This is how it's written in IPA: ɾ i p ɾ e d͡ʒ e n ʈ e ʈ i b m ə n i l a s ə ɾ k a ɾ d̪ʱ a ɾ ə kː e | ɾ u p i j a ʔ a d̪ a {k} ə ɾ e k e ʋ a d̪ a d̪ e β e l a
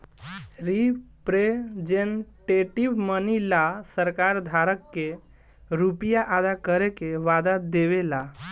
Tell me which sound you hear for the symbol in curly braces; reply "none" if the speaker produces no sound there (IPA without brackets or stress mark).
k